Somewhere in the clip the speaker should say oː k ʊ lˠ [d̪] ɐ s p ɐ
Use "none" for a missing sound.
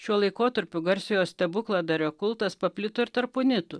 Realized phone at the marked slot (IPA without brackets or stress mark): t̪